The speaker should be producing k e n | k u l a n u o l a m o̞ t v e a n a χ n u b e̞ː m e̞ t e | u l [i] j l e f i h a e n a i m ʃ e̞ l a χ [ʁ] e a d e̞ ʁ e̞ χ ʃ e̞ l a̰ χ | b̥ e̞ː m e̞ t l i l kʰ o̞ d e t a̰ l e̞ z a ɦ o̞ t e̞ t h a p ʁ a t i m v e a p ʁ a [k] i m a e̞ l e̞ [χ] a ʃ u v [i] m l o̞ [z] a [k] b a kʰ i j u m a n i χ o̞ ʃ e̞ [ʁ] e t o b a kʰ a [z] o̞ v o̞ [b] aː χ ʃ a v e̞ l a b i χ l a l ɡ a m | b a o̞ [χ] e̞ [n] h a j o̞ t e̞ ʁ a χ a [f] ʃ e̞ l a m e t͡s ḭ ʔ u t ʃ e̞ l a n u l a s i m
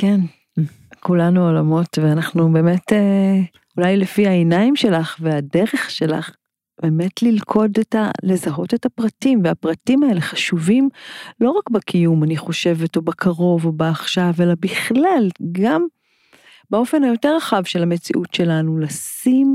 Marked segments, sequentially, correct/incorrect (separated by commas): incorrect, incorrect, incorrect, correct, correct, incorrect, correct, incorrect, incorrect, correct, incorrect, correct, incorrect